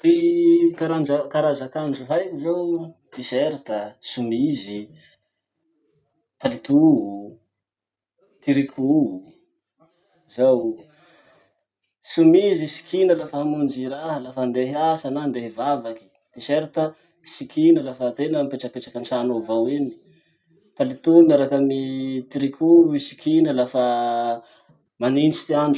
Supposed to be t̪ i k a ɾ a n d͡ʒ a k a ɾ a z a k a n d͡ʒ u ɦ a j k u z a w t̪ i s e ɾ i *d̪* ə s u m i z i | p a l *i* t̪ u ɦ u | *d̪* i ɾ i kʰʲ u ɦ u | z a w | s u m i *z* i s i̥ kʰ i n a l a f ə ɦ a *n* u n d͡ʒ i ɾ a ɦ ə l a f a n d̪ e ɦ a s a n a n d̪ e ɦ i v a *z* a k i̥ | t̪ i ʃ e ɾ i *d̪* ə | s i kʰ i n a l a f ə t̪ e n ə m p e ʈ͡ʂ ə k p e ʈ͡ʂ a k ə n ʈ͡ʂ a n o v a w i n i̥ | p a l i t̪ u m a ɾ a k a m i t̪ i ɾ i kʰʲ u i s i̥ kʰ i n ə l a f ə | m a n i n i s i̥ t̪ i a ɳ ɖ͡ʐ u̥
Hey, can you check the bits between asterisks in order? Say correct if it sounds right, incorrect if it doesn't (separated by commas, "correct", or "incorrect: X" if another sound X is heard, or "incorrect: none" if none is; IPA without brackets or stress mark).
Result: incorrect: t̪, correct, incorrect: t̪, correct, incorrect: m, incorrect: v, incorrect: t̪